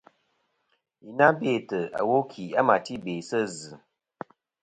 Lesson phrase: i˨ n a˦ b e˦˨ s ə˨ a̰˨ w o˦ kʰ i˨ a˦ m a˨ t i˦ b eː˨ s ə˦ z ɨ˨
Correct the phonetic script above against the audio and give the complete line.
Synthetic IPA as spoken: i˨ n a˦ b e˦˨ t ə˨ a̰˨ w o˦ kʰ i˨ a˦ m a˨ t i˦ b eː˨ s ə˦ z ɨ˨